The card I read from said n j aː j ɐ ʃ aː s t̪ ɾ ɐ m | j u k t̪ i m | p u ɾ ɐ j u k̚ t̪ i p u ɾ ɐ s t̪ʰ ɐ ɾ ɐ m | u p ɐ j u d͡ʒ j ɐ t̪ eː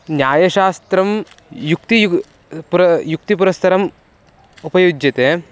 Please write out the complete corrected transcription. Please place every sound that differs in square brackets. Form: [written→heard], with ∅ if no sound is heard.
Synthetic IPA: n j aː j ɐ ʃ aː s t̪ ɾ ɐ m | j u k t̪ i [m→∅] | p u ɾ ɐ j u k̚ t̪ i p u ɾ ɐ s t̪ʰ ɐ ɾ ɐ m | u p ɐ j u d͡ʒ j ɐ t̪ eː